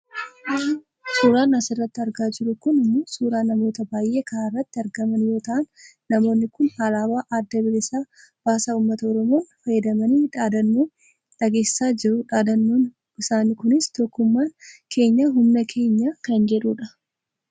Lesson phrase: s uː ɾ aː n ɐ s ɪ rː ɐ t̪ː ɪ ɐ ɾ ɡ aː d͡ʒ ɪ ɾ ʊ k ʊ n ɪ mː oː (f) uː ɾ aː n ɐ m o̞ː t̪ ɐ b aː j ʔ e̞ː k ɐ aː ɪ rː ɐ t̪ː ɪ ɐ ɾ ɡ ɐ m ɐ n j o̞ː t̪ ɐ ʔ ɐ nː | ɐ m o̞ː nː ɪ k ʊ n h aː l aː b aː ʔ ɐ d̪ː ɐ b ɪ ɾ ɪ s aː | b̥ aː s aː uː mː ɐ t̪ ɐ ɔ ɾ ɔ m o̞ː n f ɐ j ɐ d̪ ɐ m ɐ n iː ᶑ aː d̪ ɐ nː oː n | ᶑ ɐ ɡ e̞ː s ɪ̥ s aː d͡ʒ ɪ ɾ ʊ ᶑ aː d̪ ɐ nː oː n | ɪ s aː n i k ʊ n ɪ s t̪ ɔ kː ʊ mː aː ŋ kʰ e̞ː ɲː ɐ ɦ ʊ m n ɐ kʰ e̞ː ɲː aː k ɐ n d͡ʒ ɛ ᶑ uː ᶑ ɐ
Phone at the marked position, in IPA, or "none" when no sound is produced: s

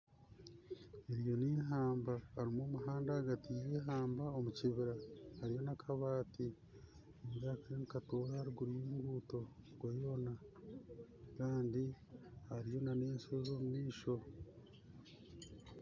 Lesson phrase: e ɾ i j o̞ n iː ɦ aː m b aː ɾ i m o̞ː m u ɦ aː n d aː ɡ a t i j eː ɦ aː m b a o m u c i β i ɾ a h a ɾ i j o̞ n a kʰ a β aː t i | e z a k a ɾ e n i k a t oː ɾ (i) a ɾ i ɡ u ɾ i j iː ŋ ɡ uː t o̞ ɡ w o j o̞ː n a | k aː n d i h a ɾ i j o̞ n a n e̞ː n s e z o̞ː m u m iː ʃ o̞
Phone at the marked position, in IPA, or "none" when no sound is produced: a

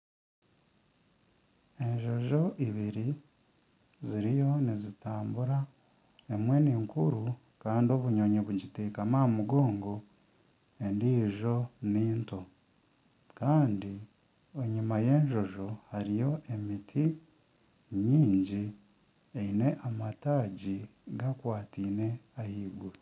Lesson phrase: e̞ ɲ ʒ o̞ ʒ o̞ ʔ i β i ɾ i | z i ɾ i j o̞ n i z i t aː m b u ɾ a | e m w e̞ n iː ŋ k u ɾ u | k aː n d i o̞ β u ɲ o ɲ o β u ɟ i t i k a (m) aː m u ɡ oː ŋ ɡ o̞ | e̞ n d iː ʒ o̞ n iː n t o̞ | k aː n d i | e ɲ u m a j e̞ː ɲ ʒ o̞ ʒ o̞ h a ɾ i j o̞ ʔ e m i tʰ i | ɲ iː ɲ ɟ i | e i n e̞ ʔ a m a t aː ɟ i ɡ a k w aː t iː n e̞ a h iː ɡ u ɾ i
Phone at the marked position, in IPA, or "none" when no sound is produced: m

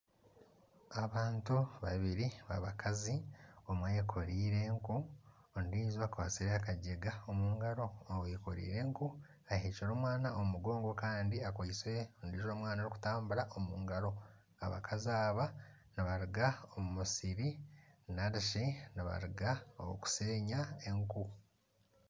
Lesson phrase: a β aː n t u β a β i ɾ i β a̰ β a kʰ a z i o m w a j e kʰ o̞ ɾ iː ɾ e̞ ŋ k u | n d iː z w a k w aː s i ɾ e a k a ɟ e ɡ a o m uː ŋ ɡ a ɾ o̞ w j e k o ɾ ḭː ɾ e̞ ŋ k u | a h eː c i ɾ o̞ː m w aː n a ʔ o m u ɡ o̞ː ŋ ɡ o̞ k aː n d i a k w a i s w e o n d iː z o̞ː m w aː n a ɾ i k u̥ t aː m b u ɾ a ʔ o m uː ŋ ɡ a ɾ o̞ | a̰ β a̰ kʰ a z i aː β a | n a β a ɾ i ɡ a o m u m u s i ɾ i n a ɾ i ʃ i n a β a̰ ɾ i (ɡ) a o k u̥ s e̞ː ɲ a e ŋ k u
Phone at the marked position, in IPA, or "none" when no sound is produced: ɡ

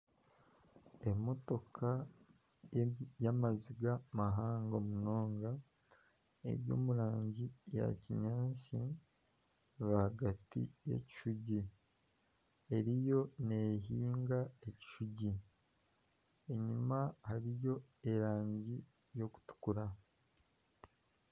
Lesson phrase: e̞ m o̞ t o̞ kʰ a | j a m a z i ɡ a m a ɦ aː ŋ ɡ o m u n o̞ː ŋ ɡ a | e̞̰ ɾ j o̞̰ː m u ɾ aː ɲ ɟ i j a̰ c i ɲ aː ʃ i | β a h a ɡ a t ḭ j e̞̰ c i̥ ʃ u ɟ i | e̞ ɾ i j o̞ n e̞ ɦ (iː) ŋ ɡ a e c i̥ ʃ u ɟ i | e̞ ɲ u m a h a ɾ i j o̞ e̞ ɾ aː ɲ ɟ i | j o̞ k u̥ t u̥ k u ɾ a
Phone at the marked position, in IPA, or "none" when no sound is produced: iː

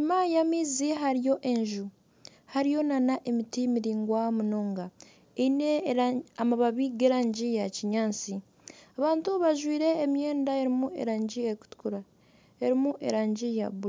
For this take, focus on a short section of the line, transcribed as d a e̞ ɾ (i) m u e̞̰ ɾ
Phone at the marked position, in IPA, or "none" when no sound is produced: i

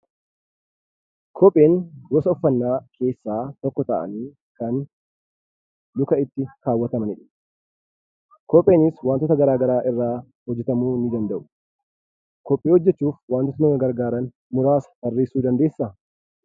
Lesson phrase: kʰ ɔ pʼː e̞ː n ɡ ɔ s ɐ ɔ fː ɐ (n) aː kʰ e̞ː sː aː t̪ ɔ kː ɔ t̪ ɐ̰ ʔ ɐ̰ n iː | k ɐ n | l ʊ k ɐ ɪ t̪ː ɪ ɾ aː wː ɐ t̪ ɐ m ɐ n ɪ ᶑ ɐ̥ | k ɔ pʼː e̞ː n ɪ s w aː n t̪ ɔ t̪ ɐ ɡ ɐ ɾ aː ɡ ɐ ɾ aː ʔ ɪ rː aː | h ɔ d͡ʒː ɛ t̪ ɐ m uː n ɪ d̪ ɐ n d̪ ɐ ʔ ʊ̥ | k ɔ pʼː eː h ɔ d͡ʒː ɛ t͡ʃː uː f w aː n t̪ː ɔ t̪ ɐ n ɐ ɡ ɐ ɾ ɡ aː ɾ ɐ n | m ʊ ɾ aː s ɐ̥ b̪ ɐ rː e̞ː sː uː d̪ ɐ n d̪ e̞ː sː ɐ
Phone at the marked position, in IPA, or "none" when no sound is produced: nː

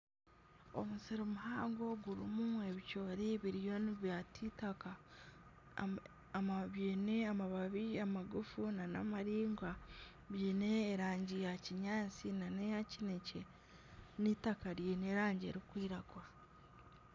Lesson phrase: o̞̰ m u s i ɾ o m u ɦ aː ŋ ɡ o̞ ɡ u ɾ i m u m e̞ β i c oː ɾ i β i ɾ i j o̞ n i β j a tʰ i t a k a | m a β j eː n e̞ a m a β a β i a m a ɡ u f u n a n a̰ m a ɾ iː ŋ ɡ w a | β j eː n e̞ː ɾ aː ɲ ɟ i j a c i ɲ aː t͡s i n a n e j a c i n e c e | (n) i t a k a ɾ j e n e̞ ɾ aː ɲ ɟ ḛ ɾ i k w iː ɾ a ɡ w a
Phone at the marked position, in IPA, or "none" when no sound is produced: n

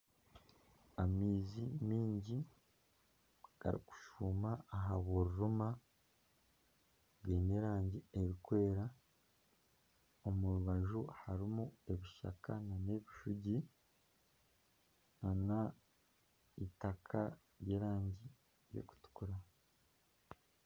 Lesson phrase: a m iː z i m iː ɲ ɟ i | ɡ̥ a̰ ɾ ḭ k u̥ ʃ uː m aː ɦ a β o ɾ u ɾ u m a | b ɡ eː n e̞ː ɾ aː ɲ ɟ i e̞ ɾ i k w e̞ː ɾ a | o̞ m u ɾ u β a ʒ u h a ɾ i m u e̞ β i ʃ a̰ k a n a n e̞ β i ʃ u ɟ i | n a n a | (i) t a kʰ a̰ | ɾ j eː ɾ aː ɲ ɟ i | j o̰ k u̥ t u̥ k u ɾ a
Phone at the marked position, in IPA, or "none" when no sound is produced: i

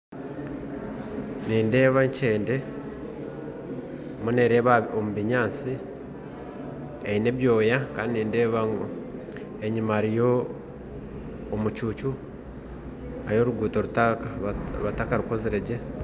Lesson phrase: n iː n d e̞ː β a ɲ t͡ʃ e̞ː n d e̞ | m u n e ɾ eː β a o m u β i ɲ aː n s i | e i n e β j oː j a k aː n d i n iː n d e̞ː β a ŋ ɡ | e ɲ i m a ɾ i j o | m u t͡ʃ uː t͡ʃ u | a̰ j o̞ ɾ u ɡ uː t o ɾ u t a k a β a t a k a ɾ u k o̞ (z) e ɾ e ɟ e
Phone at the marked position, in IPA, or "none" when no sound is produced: z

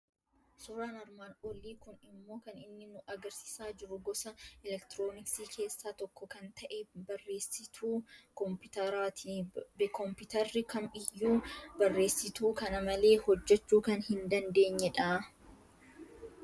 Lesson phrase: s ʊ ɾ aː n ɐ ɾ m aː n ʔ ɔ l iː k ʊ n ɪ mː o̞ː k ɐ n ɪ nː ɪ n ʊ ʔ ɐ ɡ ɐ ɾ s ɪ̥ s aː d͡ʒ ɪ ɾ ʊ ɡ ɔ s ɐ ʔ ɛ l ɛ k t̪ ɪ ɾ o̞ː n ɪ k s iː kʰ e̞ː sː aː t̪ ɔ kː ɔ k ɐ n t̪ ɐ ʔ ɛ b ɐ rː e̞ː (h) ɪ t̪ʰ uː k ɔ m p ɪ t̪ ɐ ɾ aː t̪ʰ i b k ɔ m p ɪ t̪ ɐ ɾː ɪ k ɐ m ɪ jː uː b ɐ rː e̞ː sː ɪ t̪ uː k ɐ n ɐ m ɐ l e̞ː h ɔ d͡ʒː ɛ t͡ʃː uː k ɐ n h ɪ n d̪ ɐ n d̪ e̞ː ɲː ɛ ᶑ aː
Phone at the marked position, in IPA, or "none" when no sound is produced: s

